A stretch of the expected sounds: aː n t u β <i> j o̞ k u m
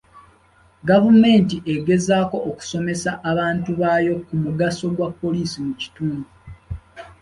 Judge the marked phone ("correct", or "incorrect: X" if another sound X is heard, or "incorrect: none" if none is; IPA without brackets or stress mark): incorrect: a